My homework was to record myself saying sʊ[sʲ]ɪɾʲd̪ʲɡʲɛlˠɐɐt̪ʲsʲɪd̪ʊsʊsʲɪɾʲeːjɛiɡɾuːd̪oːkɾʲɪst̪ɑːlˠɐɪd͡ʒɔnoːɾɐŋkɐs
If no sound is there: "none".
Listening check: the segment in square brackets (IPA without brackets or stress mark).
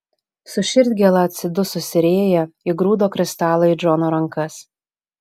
ʃʲ